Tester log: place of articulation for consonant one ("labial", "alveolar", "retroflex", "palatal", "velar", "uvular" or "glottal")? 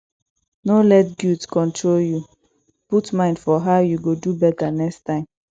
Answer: alveolar